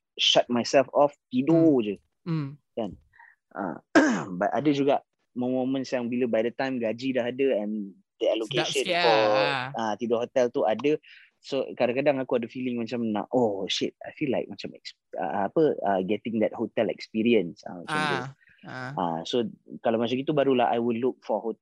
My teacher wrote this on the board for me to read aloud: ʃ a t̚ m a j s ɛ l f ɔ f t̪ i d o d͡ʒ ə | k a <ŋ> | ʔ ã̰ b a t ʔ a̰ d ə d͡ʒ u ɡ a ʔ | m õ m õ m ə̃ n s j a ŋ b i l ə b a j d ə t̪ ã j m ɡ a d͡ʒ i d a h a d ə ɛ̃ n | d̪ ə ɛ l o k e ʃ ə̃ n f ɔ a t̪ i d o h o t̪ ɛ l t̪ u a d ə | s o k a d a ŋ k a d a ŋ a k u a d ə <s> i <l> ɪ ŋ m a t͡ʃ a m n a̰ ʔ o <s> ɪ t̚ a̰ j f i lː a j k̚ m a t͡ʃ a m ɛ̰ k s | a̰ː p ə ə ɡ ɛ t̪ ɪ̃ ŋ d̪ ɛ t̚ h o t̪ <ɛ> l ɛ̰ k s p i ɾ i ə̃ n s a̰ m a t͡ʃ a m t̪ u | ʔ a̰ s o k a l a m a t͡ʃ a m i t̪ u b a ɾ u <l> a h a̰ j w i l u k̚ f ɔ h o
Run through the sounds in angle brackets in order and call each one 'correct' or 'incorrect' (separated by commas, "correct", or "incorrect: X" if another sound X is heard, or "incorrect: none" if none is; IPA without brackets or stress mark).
incorrect: n, incorrect: f, correct, incorrect: ʃ, correct, correct